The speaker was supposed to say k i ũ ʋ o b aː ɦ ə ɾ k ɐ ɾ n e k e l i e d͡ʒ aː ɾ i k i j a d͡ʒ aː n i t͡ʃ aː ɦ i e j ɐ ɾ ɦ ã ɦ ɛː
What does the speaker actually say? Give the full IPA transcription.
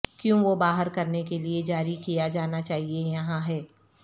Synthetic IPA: k j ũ ʋ o b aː ɦ ə ɾ k ɐ ɾ n e k e l i e d͡ʒ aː ɾ i k i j a d͡ʒ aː n a t͡ʃ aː ɦ i e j ɐ ɦ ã ɦ ɛː